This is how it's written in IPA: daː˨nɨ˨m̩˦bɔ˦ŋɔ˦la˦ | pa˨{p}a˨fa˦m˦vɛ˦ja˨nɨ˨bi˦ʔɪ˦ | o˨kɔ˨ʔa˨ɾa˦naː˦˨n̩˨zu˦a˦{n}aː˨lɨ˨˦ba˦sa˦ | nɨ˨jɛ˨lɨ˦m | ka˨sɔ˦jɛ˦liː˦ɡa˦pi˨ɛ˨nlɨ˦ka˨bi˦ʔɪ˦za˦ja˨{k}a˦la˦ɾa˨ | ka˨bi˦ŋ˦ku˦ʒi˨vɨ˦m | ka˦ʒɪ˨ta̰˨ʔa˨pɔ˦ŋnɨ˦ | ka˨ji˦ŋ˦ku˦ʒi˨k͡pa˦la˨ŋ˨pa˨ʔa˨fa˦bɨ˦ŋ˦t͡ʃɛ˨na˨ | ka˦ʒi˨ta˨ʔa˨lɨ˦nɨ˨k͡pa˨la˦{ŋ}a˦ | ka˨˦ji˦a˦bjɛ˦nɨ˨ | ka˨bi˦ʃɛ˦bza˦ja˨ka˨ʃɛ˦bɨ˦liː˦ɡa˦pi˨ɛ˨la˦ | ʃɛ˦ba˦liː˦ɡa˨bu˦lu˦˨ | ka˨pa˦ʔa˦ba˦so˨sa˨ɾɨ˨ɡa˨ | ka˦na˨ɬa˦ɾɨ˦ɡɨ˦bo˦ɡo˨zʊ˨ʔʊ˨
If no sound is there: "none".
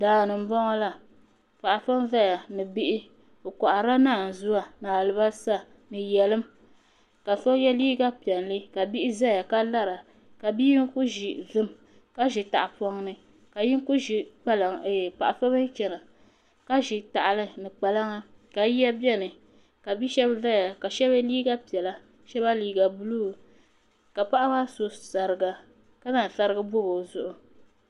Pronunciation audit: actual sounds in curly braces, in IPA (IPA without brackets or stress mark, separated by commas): ʔ, n, k, ŋ